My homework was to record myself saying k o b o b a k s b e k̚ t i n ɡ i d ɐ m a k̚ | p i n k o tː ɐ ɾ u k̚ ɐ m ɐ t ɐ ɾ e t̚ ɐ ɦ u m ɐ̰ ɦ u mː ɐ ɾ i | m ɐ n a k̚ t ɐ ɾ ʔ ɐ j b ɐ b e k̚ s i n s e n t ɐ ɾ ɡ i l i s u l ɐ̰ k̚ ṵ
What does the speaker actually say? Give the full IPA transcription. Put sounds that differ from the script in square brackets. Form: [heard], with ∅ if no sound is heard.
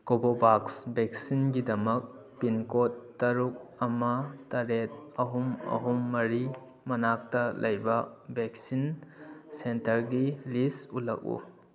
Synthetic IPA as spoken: k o b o b a k s b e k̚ [s] i n ɡ i d ɐ m [ɐ] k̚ | p i n k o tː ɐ ɾ u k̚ ɐ m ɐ t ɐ ɾ e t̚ ɐ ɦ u m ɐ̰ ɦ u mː ɐ ɾ i | m ɐ n a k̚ t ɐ [l] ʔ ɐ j b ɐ b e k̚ s i n s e n t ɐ ɾ ɡ i l i s u l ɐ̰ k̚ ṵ

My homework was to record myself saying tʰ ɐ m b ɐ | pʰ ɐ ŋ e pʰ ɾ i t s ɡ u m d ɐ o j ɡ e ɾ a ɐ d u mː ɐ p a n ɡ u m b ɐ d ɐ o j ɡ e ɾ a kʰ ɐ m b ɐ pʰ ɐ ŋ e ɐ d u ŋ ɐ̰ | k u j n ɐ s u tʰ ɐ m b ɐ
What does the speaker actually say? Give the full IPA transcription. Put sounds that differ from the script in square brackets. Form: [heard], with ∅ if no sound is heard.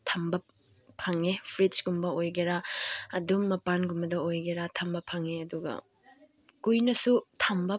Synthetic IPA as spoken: tʰ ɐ m b ɐ | pʰ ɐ ŋ e pʰ ɾ i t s ɡ u m [b] ɐ o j ɡ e ɾ a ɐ d u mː ɐ p a n ɡ u m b ɐ d ɐ o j ɡ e ɾ a [tʰ] ɐ m b ɐ pʰ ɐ ŋ e ɐ d u [ɡ] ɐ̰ | k u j n ɐ s u tʰ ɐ m b ɐ

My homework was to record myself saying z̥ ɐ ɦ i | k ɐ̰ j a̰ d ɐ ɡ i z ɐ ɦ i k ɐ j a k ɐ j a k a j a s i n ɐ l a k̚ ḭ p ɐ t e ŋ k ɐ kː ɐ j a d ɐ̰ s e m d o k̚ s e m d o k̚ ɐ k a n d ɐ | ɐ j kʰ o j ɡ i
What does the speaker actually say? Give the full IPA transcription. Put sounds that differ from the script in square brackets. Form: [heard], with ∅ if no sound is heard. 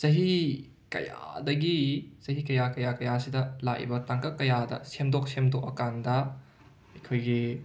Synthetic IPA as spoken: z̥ ɐ ɦ i | k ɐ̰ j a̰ d ɐ ɡ i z ɐ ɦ i k ɐ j a k ɐ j a k [ɐ] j a s i [d] ɐ l a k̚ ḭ [b] ɐ t [a] ŋ k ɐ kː ɐ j a d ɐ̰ s e m d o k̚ s e m d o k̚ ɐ k a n d ɐ | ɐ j kʰ o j ɡ i

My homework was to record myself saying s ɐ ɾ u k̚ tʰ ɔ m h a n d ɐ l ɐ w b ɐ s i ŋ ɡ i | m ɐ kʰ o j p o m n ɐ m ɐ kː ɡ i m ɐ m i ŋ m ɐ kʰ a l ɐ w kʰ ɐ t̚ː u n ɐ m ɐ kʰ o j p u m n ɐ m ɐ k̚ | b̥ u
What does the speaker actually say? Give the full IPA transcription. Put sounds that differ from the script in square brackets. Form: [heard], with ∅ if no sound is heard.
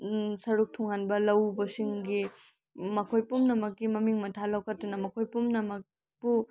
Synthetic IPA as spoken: s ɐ ɾ u k̚ tʰ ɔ [ŋ] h a n [b] ɐ l ɐ w b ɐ s i ŋ ɡ i | m ɐ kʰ o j p [u] m n ɐ m ɐ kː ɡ i m ɐ m i ŋ m ɐ [tʰ] a l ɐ w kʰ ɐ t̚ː u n ɐ m ɐ kʰ o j p u m n ɐ m ɐ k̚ | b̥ u

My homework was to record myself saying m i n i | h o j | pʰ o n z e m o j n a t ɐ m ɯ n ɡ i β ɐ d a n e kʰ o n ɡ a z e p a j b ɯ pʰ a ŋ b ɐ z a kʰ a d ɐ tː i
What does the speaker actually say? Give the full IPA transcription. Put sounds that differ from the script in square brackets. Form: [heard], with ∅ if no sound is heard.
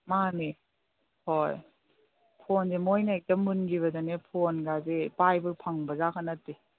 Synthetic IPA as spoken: m [a] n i | h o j | pʰ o n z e m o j n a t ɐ m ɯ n ɡ i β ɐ d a n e [pʰ] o n ɡ a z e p a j b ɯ pʰ a ŋ b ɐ z a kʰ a [n] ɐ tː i

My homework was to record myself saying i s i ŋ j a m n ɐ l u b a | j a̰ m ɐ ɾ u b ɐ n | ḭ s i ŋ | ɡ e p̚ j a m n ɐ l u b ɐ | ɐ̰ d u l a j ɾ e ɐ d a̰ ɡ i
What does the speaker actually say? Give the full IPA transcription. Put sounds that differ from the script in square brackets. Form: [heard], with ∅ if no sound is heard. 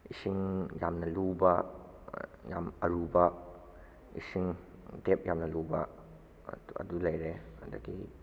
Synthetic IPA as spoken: i s i ŋ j a m n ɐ l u b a | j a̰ m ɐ ɾ u b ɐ [∅] | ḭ s i ŋ | [d] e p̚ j a m n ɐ l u b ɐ | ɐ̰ d u l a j ɾ e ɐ d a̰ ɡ i

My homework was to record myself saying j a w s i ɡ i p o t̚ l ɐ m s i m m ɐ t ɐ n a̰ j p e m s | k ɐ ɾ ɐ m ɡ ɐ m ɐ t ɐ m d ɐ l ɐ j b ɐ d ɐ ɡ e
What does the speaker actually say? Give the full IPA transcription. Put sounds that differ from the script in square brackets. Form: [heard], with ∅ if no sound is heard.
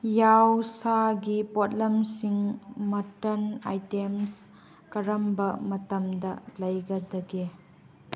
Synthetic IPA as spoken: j a w s [a] ɡ i p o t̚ l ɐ m s i [ŋ] m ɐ t ɐ n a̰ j [t] e m s | k ɐ ɾ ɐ m [b] ɐ m ɐ t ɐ m d ɐ l ɐ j [ɡ] ɐ d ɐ ɡ e

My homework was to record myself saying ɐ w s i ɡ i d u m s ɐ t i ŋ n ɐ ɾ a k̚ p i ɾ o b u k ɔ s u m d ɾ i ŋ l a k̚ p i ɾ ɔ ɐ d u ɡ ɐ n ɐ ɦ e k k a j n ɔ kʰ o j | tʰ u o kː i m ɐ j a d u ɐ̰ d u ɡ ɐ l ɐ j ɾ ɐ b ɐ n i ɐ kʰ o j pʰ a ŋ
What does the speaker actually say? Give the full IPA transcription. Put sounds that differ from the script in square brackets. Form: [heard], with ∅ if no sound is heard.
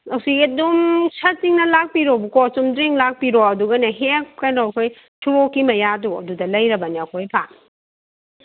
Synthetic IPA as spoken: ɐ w s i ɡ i d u m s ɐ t i ŋ n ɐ [l] a k̚ p i ɾ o b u k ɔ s u m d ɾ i ŋ l a k̚ p i ɾ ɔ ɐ d u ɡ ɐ n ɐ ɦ e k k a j n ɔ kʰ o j | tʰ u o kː i m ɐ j a d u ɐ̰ d u [d] ɐ l ɐ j ɾ ɐ b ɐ n i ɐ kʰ o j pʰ a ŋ

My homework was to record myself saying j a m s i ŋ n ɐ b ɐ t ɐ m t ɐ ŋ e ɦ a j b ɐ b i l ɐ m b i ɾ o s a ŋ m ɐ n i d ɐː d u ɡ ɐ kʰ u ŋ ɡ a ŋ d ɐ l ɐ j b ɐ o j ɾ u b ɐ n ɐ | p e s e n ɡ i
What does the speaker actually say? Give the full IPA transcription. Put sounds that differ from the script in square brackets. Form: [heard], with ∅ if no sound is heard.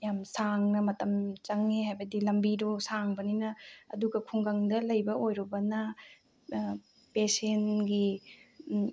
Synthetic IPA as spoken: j a m s [a] ŋ n ɐ [m] ɐ t ɐ m [t͡ʃ] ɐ ŋ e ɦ a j b ɐ [d] i l ɐ m b i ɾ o s a ŋ [b] ɐ n i [n] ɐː d u ɡ ɐ kʰ u ŋ ɡ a ŋ d ɐ l ɐ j b ɐ o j ɾ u b ɐ n ɐ | p e s e n ɡ i

